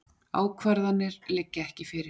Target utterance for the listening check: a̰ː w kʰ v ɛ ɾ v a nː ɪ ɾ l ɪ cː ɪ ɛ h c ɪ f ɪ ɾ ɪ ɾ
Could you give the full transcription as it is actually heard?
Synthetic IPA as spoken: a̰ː w kʰ v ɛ ɾ ð a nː ɪ ɾ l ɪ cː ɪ ɛ h c ɪ f ɪ ɾ ɪ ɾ